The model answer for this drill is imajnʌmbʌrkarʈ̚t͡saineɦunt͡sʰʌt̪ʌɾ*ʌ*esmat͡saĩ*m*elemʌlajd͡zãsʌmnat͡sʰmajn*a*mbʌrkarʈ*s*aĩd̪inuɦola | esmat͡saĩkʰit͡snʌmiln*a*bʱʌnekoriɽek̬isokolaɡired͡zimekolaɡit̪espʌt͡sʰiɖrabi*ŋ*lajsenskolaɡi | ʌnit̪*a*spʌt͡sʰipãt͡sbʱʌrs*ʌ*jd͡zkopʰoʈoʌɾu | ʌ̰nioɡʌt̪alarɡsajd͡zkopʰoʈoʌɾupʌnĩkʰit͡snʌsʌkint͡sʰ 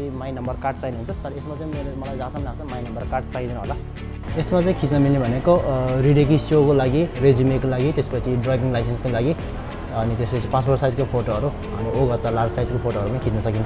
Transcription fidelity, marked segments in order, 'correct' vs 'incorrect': correct, correct, incorrect, incorrect, incorrect, correct, incorrect, incorrect

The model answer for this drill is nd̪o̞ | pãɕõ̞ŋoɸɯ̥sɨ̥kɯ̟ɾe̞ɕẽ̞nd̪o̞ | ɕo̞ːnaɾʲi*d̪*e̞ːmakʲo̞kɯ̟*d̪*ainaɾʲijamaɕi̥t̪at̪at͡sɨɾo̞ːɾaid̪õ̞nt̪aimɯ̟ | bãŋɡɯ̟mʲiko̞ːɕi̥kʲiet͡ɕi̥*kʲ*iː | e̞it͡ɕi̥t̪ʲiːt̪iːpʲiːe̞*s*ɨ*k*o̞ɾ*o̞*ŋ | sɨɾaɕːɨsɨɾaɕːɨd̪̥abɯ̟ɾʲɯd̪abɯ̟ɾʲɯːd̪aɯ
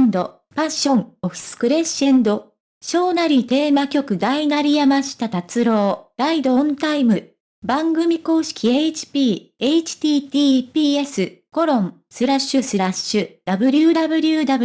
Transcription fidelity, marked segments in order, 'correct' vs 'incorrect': incorrect, correct, incorrect, correct, correct, incorrect

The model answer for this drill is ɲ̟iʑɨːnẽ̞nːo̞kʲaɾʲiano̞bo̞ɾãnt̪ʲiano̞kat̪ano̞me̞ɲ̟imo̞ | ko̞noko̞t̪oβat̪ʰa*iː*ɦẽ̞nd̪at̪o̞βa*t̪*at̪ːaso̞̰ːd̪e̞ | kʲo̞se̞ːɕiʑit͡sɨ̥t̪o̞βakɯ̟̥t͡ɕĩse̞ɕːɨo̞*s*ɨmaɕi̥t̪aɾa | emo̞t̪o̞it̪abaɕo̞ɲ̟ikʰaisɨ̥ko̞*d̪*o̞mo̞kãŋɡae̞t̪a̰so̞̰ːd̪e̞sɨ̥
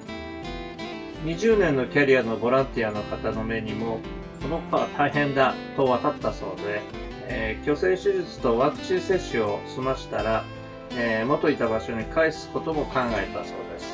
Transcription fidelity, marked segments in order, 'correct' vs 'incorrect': incorrect, correct, correct, incorrect

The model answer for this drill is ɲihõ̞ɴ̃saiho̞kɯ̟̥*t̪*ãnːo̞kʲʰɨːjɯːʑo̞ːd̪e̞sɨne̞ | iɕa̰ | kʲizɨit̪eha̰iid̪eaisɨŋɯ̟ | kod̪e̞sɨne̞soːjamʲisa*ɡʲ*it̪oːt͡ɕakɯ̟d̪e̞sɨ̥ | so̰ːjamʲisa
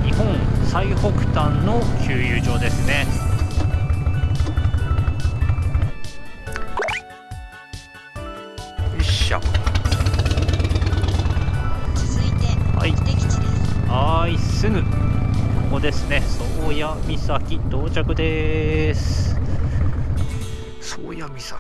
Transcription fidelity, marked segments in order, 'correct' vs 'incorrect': correct, incorrect

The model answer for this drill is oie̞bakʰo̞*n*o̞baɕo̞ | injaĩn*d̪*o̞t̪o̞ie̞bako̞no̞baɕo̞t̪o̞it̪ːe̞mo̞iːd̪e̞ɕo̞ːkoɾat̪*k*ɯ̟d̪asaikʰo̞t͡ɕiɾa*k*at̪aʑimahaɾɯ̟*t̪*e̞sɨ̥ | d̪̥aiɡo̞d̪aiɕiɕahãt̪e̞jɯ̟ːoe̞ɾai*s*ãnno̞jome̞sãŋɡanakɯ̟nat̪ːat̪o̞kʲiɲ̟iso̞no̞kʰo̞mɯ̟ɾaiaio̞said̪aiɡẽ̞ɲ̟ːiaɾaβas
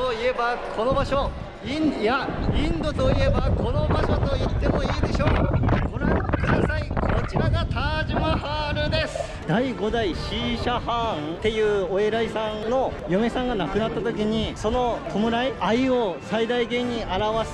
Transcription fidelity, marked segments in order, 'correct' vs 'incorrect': correct, correct, correct, incorrect, incorrect, correct

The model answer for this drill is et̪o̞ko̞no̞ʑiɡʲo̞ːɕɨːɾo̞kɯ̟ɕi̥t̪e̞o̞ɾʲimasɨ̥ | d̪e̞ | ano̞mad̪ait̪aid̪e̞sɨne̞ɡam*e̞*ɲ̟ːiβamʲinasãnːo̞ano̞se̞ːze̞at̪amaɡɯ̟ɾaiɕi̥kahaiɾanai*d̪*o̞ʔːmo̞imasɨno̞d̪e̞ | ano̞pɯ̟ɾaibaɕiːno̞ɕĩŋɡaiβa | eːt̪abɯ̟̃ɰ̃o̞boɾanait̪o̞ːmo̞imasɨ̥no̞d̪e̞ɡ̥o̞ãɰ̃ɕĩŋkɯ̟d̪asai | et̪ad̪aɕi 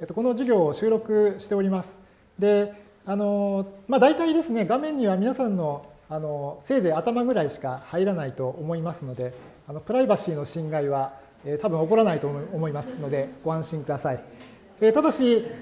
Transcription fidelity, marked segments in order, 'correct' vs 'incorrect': incorrect, incorrect

